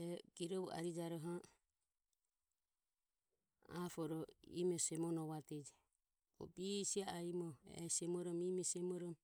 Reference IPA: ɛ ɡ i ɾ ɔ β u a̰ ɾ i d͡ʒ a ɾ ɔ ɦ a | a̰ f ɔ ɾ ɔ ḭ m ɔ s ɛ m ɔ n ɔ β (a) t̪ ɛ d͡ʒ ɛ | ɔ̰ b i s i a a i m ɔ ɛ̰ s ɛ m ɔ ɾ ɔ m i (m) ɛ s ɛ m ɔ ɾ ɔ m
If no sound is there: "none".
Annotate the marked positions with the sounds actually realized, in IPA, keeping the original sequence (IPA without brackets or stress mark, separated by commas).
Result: a, m